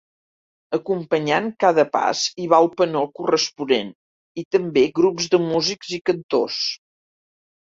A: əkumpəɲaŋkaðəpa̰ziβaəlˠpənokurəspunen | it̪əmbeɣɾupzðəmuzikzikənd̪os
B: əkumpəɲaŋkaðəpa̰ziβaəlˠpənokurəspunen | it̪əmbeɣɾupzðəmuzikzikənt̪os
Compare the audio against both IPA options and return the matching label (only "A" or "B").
B